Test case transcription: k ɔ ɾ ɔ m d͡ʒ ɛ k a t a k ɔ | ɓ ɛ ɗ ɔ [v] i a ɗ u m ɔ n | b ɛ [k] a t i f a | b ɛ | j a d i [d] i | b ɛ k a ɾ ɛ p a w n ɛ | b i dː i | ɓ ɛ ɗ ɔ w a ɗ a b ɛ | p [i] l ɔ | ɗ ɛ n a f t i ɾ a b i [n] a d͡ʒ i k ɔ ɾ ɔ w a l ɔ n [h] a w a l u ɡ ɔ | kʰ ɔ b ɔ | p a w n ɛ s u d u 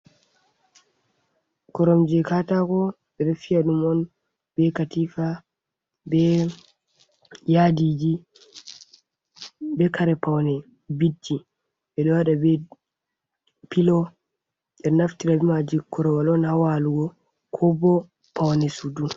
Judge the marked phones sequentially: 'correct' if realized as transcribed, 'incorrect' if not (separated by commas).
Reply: incorrect, correct, incorrect, correct, incorrect, correct